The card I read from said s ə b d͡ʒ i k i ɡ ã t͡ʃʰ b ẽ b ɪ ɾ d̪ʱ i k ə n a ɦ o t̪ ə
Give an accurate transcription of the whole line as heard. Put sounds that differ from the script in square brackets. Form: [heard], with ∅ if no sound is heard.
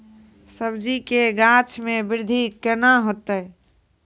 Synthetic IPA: s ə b d͡ʒ i k [e] ɡ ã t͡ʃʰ [m] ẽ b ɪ ɾ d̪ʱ i k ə n a ɦ o t̪ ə